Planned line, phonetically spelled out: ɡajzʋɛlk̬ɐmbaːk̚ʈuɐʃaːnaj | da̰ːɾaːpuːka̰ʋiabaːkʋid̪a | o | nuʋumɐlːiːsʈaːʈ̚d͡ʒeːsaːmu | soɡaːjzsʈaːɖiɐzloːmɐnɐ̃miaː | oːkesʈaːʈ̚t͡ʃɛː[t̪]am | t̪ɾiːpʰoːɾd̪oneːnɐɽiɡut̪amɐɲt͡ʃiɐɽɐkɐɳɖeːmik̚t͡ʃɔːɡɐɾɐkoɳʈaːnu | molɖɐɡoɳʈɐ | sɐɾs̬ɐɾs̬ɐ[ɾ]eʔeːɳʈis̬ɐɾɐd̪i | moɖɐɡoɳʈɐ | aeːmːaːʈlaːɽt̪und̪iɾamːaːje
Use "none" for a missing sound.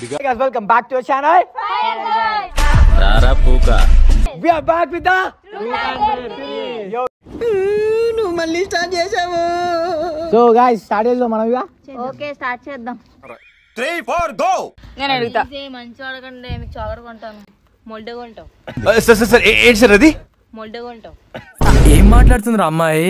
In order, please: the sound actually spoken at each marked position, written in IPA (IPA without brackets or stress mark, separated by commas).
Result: d̪, ɾ